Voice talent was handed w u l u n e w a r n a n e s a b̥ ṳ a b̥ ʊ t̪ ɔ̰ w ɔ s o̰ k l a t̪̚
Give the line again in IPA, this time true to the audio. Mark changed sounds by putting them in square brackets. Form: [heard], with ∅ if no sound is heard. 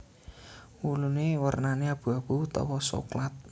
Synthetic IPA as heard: w u l u n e w [ə] r n a n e [∅] a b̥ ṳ a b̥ [u] t̪ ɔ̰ w ɔ s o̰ k l a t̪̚